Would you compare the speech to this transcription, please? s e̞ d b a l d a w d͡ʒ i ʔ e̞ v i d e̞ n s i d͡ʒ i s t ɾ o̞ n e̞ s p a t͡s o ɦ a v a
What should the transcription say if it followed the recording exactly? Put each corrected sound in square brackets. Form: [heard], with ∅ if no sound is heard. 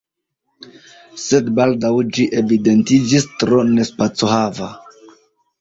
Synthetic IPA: s e̞ d b a l d a w d͡ʒ i ʔ e̞ v i d e̞ n [t] i d͡ʒ i s t ɾ o̞ n e̞ s p a t͡s o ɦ a v a